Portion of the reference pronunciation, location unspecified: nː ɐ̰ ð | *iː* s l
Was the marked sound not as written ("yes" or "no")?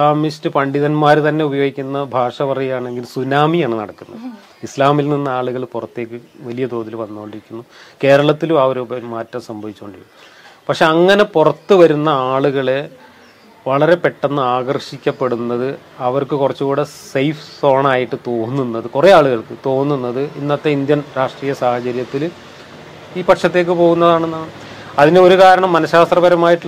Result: yes